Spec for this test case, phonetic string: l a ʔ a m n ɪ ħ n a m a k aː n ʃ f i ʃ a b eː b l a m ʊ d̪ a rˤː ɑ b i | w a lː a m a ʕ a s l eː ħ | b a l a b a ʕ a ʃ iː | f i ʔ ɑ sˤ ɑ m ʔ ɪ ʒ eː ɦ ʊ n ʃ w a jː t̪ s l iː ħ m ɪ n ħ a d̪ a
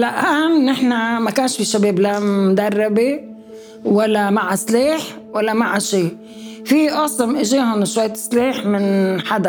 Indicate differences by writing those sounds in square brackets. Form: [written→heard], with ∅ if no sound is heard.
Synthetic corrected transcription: l a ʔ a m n ɪ ħ n a m a k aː n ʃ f i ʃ a b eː b l a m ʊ d̪ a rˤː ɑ b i | w a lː a m a ʕ a s l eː ħ | [b→w] a [l→lː] a [b→m] a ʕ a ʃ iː | f i ʔ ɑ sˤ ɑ m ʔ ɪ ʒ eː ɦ ʊ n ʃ w a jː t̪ s l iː ħ m ɪ n ħ a d̪ a